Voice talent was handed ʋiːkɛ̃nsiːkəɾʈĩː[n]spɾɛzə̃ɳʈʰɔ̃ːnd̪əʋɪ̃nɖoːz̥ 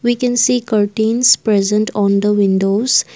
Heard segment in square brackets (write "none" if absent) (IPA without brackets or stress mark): n